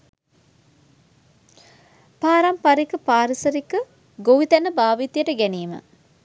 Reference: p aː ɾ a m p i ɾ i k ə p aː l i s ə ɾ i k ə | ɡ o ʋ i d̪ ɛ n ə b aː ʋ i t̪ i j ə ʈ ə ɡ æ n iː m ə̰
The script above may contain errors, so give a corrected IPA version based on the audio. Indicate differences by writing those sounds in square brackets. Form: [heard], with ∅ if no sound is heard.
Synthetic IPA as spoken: p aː ɾ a m p [a] ɾ i k ə p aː [ɾ] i s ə ɾ i k ə | ɡ o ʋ i [t̪] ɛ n ə b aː ʋ i t̪ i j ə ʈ ə ɡ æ n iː m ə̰